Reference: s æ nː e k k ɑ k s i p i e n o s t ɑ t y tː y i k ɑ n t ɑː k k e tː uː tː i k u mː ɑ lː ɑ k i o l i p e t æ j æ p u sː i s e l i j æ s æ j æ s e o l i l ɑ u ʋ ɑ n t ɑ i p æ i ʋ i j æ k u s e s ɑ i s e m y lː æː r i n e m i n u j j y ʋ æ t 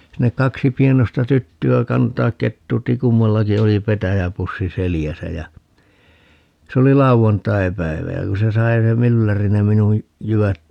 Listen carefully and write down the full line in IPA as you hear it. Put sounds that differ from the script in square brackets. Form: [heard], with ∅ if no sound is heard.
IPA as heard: s [i] nː e k k ɑ k s i p i e n o s t ɑ t y tː y [æ] k ɑ n t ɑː k k e tː uː tː i k u mː ɑ lː ɑ k i o l i p e t æ j æ p u sː i s e l i j æ s æ j æ s e o l i l ɑ u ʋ ɑ n t ɑ i p æ i ʋ [æ] j æ k u s e s ɑ i s e m y lː [æ] r i n e m i n u j j y ʋ æ t